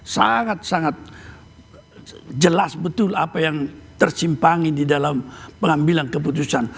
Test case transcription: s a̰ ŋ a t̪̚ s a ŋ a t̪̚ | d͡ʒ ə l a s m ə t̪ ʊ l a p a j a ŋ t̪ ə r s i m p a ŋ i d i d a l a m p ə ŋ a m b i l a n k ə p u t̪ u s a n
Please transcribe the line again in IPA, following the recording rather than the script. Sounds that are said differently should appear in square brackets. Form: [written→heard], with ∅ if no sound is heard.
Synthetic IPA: s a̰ ŋ a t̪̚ s a ŋ a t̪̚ | d͡ʒ ə l a s [m→b] ə t̪ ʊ l a p a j a ŋ t̪ ə r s i m p a ŋ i d i d a l a m p ə ŋ a m b i l a n k ə p u t̪ u s a n